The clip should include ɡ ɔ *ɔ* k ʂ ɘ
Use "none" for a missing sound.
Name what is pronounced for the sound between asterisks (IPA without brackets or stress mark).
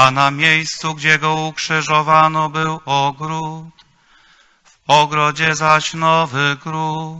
u